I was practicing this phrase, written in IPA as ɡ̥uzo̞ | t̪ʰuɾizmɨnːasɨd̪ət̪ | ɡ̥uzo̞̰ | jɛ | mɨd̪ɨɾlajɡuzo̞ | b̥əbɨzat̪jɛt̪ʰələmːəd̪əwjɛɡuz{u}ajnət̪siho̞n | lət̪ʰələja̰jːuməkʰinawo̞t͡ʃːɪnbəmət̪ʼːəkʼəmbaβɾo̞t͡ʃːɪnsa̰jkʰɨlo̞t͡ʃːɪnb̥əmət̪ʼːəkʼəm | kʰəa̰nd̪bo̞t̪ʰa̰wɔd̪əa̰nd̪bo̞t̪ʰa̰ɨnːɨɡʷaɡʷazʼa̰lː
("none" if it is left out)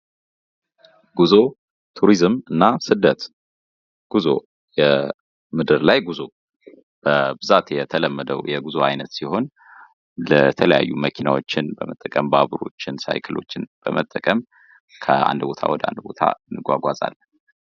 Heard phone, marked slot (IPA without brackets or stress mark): o